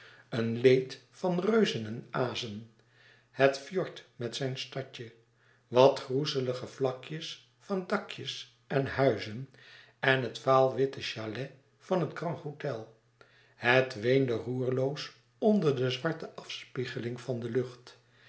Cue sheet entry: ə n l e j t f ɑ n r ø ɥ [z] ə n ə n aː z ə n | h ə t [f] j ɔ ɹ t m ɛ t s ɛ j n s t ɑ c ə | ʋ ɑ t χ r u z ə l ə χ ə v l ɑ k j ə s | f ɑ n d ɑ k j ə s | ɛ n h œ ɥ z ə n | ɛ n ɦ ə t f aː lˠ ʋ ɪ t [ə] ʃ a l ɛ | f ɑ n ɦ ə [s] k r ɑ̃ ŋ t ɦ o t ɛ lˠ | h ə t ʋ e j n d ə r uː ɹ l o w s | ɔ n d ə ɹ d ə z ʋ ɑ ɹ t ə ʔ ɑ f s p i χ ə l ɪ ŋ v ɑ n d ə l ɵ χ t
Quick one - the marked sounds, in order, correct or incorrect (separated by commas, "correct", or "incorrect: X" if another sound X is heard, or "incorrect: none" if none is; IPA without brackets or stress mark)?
correct, correct, correct, incorrect: t